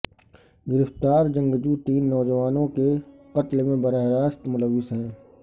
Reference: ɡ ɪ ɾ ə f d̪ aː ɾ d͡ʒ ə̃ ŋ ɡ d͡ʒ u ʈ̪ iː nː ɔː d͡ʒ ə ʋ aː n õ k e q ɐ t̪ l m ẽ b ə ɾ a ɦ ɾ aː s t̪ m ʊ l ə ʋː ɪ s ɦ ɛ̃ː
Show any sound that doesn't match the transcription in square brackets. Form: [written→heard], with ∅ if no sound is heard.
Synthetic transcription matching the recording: ɡ ɪ ɾ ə f [d̪→t̪] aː ɾ d͡ʒ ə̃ ŋ ɡ d͡ʒ u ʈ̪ iː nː ɔː d͡ʒ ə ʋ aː n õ k e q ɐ t̪ l m ẽ b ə ɾ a ɦ ɾ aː s t̪ m ʊ l ə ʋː ɪ s ɦ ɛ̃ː

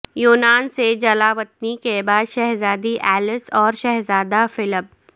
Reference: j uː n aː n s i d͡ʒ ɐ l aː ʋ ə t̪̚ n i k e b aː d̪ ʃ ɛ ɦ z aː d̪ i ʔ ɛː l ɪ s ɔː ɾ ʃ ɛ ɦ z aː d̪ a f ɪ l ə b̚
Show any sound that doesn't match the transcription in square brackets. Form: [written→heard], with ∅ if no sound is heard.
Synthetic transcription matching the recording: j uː n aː n s [i→e] d͡ʒ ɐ l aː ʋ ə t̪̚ n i k e b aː d̪ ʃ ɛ ɦ z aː d̪ i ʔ ɛː l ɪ s ɔː ɾ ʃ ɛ ɦ z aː d̪ a f ɪ l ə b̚

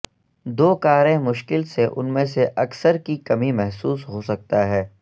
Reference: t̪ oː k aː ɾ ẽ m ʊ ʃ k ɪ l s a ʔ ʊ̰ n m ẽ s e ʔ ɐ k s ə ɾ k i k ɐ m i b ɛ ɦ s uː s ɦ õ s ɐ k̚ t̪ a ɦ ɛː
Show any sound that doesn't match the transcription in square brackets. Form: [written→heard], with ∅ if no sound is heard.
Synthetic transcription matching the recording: [t̪→d̪] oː k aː ɾ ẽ m ʊ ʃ k ɪ l s [a→e] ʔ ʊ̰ n m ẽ s e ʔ ɐ k s ə ɾ k i k ɐ m i [b→m] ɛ ɦ s uː s ɦ [õ→o] s ɐ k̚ t̪ a ɦ ɛː

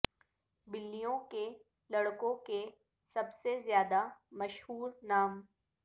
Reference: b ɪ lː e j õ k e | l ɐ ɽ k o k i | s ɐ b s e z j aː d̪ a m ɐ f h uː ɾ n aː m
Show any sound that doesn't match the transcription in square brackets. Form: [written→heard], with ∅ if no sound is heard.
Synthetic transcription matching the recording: b ɪ lː [e→i] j õ k e | l ɐ ɽ k [o→õ] k [i→e] | s ɐ b s e z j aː d̪ a m ɐ [f→ʃ] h uː ɾ n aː m

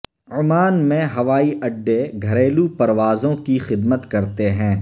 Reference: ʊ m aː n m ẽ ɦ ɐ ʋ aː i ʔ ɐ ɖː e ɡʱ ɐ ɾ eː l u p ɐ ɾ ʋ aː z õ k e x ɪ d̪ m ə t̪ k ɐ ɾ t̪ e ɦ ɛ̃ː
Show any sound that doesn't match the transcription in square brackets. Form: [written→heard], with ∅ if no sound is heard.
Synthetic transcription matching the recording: ʊ m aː n m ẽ ɦ ɐ ʋ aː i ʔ ɐ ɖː e ɡʱ ɐ ɾ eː l u p ɐ ɾ ʋ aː z õ k [e→i] x ɪ d̪ m ə t̪ k ɐ ɾ t̪ e ɦ ɛ̃ː

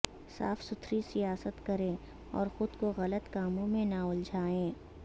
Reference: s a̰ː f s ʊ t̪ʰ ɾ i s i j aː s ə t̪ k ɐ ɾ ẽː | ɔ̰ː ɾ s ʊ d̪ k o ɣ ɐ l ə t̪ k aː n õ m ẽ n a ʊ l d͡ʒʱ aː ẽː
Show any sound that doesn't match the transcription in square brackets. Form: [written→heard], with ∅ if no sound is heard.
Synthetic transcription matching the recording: s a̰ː f s ʊ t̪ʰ ɾ i s i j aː s ə t̪ k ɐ ɾ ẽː | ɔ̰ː ɾ [s→x] ʊ d̪ k o ɣ ɐ l ə t̪ k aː [n→m] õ m ẽ n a ʊ l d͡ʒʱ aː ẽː

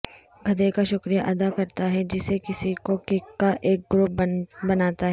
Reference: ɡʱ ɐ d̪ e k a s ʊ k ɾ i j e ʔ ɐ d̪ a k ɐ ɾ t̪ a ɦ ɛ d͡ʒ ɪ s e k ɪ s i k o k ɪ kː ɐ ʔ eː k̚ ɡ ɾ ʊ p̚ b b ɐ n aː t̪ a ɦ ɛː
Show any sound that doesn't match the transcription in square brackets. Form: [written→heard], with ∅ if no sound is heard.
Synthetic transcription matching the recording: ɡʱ ɐ d̪ e k a [s→ʃ] ʊ k ɾ i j [e→a] ʔ ɐ d̪ a k ɐ ɾ t̪ a ɦ ɛ d͡ʒ ɪ s e k ɪ s i k o k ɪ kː [ɐ→a] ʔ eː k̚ ɡ ɾ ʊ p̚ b b ɐ n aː t̪ a ɦ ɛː

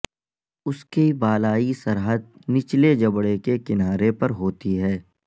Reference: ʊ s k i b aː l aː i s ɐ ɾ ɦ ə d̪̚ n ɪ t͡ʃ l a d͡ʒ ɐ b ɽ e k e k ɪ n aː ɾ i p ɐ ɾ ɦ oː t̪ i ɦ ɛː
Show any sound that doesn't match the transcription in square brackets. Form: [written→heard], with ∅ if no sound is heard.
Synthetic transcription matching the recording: ʊ s k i b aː l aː i s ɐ ɾ ɦ ə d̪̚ n ɪ t͡ʃ l [a→e] d͡ʒ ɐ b ɽ e k e k ɪ n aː ɾ [i→e] p ɐ ɾ ɦ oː t̪ i ɦ ɛː

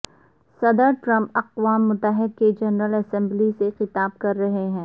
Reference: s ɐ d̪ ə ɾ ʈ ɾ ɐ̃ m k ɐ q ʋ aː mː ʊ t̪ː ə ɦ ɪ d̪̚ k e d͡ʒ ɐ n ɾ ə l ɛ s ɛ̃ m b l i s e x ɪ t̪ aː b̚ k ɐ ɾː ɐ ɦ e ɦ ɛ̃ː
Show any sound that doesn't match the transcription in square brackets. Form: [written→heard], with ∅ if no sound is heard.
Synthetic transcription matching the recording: s ɐ d̪ ə ɾ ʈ ɾ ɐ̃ m [k→p] ɐ q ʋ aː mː ʊ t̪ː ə ɦ ɪ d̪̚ k e d͡ʒ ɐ n ɾ ə l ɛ s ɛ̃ m b l i s e x ɪ t̪ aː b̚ k ɐ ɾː ɐ ɦ e ɦ ɛ̃ː

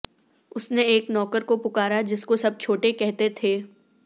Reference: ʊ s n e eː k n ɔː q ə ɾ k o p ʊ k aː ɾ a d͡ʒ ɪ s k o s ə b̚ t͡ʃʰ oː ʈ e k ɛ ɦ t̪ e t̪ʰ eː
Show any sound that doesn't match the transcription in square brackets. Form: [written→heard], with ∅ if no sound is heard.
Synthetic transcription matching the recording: ʊ s n e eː k n ɔː [q→k] ə ɾ k o p ʊ k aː ɾ a d͡ʒ ɪ s k o s [ə→ɐ] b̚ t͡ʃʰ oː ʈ e k ɛ ɦ t̪ e t̪ʰ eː

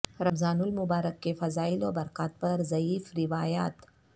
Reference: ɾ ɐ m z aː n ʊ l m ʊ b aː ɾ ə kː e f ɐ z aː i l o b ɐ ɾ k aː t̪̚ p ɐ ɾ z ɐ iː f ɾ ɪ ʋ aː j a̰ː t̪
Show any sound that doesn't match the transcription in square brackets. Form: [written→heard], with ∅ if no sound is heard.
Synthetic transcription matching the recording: ɾ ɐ m z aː n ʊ l m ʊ b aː ɾ ə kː e f ɐ z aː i l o b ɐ ɾ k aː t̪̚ p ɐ ɾ z ɐ iː f ɾ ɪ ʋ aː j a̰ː t̪

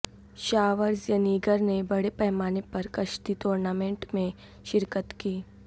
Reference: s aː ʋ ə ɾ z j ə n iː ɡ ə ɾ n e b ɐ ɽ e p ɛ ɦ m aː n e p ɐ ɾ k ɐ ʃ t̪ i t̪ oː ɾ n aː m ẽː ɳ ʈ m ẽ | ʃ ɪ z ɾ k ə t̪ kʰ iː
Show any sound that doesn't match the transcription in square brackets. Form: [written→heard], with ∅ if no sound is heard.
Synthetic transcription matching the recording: [s→ʃ] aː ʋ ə ɾ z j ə n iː ɡ ə ɾ n e b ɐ ɽ e p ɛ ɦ m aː n e p ɐ ɾ k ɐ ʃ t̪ i t̪ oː ɾ n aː m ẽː ɳ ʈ m ẽ | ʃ ɪ [z→∅] ɾ k ə t̪ [kʰ→k] iː

